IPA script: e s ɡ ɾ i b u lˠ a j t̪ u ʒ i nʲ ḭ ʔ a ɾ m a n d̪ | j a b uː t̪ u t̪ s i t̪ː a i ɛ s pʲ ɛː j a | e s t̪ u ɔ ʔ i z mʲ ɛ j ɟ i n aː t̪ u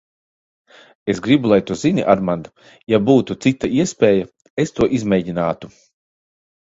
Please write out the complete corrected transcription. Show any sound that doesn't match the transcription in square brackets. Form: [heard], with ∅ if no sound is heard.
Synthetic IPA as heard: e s ɡ ɾ i b u lˠ a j t̪ u [z] i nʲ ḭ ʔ a ɾ m a n d̪ | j a b uː t̪ u t̪ s i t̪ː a i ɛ s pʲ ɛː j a | e s t̪ u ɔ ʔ i z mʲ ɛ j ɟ i n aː t̪ u